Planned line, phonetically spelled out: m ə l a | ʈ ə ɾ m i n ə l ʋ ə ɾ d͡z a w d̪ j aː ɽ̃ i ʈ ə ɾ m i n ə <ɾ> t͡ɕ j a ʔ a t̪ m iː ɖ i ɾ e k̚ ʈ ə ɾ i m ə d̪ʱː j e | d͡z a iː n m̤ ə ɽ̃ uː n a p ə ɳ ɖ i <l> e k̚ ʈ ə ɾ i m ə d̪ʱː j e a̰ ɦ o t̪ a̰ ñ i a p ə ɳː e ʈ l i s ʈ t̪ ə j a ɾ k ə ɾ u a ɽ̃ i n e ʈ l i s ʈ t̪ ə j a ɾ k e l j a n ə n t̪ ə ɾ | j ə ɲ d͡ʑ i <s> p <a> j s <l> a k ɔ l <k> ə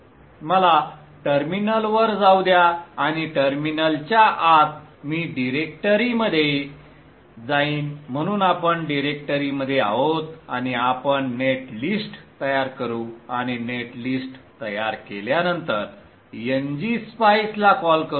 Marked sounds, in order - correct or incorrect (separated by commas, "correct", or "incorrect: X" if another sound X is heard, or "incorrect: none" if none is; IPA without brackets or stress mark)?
incorrect: l, incorrect: ɾ, correct, correct, correct, correct